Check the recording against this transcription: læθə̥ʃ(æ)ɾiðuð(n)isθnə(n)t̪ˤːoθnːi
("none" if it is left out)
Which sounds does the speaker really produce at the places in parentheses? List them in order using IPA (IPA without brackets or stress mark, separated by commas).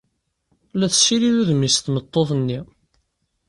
i, m, none